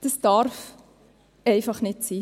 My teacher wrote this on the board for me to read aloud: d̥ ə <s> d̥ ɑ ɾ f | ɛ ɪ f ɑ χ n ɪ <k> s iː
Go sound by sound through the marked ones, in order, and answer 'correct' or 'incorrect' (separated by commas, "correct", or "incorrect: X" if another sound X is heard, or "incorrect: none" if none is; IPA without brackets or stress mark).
correct, incorrect: t